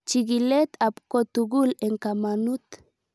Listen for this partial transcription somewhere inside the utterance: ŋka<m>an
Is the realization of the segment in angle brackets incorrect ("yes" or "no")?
no